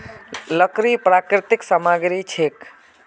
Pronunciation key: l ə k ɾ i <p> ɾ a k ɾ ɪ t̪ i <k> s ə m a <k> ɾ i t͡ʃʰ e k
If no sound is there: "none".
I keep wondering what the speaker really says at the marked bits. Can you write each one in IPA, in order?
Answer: p, k, ɡ

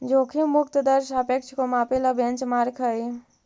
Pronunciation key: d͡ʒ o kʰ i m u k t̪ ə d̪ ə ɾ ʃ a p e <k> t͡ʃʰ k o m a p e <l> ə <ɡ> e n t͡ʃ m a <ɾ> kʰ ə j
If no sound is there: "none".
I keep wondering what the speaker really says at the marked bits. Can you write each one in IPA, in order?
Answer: k, l, b, ɾ

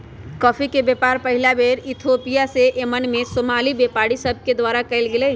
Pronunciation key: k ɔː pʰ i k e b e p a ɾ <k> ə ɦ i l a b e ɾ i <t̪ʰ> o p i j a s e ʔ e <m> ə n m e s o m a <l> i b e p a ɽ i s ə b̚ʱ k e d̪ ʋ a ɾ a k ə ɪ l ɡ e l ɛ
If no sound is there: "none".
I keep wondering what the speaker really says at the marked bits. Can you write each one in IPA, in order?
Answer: p, t̪ʰ, m, l

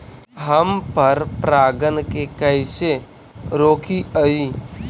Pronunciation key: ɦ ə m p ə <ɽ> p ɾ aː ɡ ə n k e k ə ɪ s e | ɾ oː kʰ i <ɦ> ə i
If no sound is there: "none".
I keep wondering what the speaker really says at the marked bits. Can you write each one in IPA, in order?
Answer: ɾ, none

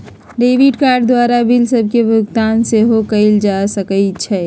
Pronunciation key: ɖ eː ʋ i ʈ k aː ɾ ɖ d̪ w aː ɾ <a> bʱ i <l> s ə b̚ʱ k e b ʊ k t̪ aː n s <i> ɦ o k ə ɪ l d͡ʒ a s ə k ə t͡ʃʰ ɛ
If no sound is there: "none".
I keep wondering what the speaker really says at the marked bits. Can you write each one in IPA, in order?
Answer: a, l, e

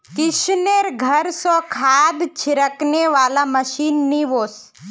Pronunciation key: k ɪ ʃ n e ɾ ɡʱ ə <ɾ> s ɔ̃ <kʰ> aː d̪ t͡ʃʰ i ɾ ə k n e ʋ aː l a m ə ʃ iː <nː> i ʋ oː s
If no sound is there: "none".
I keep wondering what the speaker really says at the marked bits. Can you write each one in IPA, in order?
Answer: ɾ, kʰ, nː

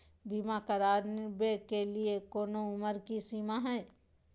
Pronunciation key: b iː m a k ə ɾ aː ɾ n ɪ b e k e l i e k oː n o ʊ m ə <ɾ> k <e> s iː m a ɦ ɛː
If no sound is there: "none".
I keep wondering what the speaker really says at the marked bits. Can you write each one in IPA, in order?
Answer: ɾ, i

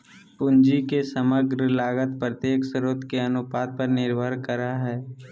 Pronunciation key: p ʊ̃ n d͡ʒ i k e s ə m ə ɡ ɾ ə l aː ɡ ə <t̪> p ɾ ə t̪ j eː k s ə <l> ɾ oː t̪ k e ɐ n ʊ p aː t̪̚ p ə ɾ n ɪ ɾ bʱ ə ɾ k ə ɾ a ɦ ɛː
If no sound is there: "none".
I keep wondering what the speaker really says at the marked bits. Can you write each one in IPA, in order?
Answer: t̪, none

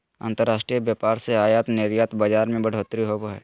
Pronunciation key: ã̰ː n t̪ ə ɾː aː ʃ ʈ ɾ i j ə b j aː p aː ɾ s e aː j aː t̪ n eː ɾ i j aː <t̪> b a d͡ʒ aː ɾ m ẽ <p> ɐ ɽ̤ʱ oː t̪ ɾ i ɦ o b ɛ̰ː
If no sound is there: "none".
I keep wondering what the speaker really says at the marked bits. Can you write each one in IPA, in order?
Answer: t̪, b

